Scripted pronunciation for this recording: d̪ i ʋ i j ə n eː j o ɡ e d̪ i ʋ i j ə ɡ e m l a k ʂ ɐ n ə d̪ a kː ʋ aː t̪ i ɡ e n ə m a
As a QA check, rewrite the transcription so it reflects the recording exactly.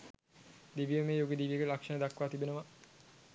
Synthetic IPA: d̪ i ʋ i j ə m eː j o ɡ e d̪ i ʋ i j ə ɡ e l a k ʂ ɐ n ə d̪ a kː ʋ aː t̪ i b e n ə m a